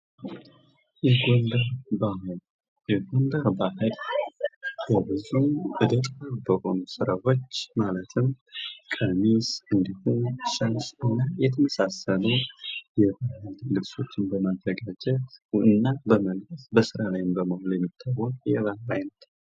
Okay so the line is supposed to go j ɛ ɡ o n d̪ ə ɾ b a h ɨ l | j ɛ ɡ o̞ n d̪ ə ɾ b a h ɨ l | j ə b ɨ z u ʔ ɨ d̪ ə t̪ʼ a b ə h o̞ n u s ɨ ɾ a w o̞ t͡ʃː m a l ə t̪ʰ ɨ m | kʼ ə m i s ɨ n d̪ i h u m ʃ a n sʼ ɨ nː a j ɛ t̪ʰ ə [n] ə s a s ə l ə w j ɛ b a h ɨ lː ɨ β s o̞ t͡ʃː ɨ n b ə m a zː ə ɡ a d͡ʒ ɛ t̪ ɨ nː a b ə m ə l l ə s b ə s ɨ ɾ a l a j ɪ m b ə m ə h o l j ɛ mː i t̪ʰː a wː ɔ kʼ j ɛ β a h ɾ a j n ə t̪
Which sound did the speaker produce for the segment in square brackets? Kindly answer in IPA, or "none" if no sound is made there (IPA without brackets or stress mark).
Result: m